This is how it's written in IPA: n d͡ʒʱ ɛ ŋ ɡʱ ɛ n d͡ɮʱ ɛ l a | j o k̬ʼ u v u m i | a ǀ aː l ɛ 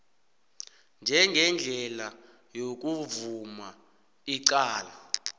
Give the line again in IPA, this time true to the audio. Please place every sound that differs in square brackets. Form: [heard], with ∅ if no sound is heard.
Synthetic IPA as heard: n d͡ʒʱ ɛ ŋ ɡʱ ɛ n d͡ɮʱ ɛ l a | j o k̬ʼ u v u m [a] | [i] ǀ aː l [a]